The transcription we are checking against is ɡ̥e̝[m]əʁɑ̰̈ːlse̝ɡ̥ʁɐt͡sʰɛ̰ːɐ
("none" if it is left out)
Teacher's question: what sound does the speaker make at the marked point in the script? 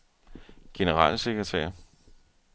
n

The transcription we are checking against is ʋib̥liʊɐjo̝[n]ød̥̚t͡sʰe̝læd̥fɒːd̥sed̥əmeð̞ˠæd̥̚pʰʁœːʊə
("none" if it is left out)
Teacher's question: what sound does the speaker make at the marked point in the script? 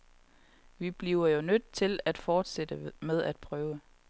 n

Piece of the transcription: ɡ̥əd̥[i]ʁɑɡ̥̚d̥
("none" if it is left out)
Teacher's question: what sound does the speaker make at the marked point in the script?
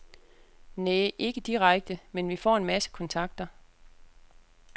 i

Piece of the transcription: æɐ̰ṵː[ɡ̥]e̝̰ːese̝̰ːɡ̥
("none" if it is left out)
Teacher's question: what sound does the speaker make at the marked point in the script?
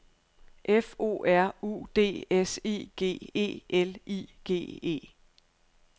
d̥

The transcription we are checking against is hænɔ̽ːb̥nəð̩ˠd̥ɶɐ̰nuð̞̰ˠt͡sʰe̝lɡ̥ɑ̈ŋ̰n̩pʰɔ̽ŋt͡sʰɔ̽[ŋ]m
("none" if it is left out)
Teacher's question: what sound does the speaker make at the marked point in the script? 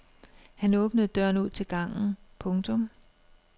none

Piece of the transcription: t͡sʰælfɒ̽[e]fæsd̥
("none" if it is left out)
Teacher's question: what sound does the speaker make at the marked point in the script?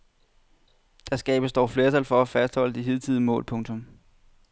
æ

